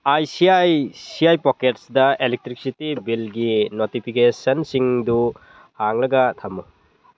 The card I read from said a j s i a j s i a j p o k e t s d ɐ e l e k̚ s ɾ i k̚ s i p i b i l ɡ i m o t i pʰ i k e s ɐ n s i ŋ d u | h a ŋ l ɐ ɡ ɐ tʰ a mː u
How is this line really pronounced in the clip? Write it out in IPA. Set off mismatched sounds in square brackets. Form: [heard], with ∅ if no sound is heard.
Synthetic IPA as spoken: a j s i a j s i a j p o k e t s d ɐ e l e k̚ [t] ɾ i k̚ s i [t] i b i l ɡ i [n] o t i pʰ i k e s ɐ n s i ŋ d u | h a ŋ l ɐ ɡ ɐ tʰ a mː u

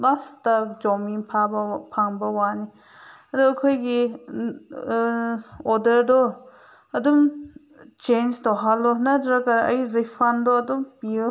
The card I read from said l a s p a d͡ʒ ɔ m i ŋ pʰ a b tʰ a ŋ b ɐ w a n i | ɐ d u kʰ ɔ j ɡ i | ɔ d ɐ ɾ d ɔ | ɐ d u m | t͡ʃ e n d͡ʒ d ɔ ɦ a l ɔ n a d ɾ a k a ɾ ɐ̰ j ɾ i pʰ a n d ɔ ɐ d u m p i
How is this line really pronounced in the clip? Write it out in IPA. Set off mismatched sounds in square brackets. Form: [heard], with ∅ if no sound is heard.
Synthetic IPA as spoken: l a s [t] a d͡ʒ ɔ m i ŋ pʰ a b [pʰ] a ŋ b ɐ w a n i | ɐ d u kʰ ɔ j ɡ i | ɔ d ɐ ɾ d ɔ | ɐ d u m | t͡ʃ e n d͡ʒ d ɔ ɦ a l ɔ n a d ɾ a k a ɾ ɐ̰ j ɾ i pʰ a n d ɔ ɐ d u m p i

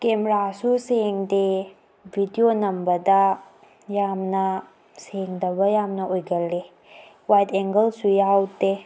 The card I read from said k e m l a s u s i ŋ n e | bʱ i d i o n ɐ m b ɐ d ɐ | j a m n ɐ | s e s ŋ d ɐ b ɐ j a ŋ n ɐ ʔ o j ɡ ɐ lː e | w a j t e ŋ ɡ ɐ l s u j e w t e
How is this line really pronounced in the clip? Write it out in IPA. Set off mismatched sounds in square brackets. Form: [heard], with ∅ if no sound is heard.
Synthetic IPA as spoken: k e m [ɾ] a s u s [e] ŋ [d] e | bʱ i d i o n ɐ m b ɐ d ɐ | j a m n ɐ | s e [∅] ŋ d ɐ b ɐ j a [m] n ɐ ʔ o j ɡ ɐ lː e | w a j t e ŋ ɡ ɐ l s u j [a] w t e

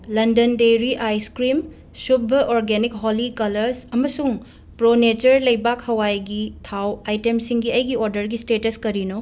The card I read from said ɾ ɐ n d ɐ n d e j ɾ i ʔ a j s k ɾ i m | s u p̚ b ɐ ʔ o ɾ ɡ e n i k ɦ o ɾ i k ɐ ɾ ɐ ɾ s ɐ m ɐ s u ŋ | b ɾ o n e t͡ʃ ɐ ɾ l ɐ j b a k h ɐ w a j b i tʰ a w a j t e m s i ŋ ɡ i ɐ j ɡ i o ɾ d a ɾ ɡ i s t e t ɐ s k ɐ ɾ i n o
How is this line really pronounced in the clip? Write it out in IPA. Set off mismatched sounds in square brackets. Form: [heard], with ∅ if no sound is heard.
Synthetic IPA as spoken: [l] ɐ n d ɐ n d e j ɾ i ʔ a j s k ɾ i m | s u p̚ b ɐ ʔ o ɾ ɡ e n i k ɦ o [l] i k ɐ [l] ɐ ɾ s ɐ m ɐ s u ŋ | [p] ɾ o n e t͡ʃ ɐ ɾ l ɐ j b a k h ɐ w a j [ɡ] i tʰ a w a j t e m s i ŋ ɡ i ɐ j ɡ i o ɾ d [ɐ] ɾ ɡ i s t e t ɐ s k ɐ ɾ i n o

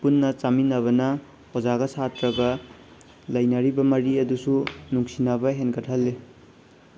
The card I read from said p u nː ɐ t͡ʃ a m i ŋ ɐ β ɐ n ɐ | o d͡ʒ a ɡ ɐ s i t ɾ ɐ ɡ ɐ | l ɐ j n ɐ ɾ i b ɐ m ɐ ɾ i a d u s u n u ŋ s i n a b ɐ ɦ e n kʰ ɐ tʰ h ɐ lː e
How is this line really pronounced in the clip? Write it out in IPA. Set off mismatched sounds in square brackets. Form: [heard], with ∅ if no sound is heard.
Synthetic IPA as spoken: p u nː ɐ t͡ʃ a m i [n] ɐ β ɐ n ɐ | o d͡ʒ a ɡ ɐ s [a] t ɾ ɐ ɡ ɐ | l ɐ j n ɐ ɾ i b ɐ m ɐ ɾ i [ɐ] d u s u n u ŋ s i n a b ɐ ɦ e n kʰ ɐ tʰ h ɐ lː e

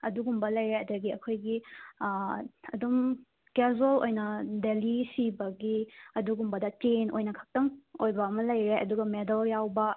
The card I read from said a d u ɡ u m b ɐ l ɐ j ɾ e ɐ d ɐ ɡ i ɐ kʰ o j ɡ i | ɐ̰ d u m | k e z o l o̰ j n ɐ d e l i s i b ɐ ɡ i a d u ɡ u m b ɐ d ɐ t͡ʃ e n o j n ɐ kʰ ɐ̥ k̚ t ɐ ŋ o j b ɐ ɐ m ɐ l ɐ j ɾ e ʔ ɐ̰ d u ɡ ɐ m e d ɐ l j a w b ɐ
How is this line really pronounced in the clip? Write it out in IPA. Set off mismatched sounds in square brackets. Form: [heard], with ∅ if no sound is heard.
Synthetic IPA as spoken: [ɐ] d u ɡ u m b ɐ l ɐ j ɾ e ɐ d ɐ ɡ i ɐ kʰ o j ɡ i | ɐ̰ d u m | k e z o l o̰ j n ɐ d e l i s i b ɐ ɡ i [ɐ] d u ɡ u m b ɐ d ɐ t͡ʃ e n o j n ɐ kʰ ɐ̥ k̚ t ɐ ŋ o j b ɐ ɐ m ɐ l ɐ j ɾ e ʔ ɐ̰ d u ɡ ɐ m e d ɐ l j a w b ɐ

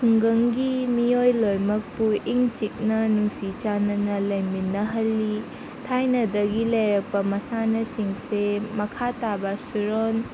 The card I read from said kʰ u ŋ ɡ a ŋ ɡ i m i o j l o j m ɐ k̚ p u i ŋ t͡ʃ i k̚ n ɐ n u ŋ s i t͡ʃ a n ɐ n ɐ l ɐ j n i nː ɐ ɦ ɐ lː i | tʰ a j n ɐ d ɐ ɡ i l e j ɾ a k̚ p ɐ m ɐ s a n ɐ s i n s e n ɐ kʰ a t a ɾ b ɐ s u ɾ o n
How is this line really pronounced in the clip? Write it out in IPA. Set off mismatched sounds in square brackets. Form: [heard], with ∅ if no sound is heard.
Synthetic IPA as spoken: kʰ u ŋ ɡ [ɐ] ŋ ɡ i m i o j l o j m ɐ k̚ p u i ŋ t͡ʃ i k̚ n ɐ n u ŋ s i t͡ʃ a n ɐ n ɐ l ɐ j [m] i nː ɐ ɦ ɐ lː i | tʰ a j n ɐ d ɐ ɡ i l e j ɾ [ɐ] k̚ p ɐ m ɐ s a n ɐ s i [ŋ] s e [m] ɐ kʰ a t a [∅] b ɐ s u ɾ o n

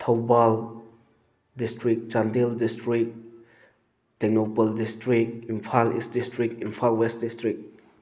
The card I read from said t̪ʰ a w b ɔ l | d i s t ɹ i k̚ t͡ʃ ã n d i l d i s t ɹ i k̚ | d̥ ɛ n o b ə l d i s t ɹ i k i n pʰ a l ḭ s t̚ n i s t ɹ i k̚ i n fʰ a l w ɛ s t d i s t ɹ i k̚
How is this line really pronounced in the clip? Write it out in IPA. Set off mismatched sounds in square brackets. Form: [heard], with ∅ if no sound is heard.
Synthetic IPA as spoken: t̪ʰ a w b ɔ l | d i s t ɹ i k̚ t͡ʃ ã n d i l d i s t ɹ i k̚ | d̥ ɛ n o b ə l d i s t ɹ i k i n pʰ a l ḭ s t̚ [d] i s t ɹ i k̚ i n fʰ a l w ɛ s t d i s t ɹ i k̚

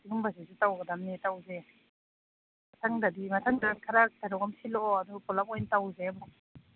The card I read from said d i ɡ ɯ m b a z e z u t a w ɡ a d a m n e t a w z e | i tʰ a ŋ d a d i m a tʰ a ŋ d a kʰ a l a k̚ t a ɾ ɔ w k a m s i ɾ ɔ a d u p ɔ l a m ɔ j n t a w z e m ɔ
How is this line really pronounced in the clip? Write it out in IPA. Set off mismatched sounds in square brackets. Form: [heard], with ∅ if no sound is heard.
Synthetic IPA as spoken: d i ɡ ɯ m b a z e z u t a w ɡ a d a m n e t a w z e | [a] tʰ a ŋ d a d i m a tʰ a ŋ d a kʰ a [ɾ] a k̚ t a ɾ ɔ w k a m s i [l] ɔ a d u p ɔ l a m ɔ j n t a w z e m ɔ

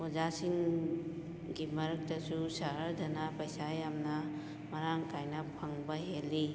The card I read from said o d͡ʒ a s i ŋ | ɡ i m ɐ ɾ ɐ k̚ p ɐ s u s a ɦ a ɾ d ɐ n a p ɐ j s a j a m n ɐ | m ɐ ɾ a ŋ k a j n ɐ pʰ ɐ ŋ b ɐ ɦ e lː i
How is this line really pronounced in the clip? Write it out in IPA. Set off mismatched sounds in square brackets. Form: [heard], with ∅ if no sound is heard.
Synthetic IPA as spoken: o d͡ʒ a s i ŋ | ɡ i m ɐ ɾ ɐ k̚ [t] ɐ s u s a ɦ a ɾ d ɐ n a p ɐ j s a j a m n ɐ | m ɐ ɾ a ŋ k a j n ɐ pʰ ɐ ŋ b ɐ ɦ e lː i

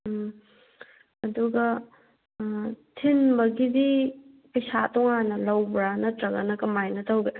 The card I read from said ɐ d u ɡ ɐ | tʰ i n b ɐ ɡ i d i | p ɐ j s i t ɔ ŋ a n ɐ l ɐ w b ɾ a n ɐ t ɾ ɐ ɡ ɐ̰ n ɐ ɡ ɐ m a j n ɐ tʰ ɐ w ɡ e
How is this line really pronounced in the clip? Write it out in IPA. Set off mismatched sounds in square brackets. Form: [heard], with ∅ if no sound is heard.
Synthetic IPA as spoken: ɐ d u ɡ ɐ | tʰ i n b ɐ ɡ i d i | p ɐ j s [a] t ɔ ŋ a n ɐ l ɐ w b ɾ a n ɐ t ɾ ɐ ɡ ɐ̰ n ɐ [k] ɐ m a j n ɐ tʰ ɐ w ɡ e

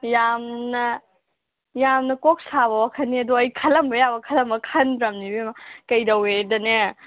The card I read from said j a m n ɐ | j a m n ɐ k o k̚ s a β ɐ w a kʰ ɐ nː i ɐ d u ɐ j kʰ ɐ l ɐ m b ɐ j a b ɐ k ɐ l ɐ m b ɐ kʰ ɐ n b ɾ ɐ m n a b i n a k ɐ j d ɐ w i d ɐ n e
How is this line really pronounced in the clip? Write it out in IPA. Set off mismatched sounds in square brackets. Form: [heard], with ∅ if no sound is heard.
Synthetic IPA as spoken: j a m n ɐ | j a m n ɐ k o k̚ s a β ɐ w a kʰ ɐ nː i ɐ d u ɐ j kʰ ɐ l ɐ m b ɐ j a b ɐ [kʰ] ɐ l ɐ m b ɐ kʰ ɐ n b ɾ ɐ m n [i] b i [m] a k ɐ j d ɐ w [e] d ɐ n e

